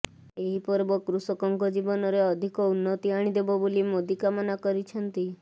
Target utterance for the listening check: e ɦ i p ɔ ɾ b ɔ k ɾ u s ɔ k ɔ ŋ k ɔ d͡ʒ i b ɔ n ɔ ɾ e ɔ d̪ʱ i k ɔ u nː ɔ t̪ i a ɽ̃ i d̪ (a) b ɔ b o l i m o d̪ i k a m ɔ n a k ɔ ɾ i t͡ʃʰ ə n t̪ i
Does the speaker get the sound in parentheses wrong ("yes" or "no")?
yes